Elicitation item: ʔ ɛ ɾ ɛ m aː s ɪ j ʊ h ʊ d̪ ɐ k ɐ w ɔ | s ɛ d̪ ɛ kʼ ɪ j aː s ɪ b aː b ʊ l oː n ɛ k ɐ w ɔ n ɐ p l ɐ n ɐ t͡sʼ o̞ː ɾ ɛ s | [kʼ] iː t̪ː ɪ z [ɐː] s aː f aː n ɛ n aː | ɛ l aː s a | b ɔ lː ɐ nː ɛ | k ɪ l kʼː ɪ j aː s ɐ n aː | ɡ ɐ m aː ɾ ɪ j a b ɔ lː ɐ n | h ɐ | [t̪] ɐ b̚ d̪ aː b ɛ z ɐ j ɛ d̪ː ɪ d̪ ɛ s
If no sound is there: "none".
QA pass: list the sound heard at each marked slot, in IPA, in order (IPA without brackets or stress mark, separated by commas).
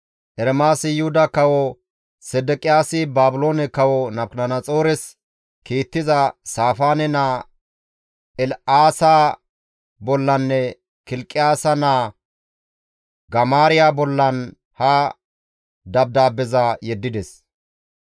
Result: k, ɐ, d̪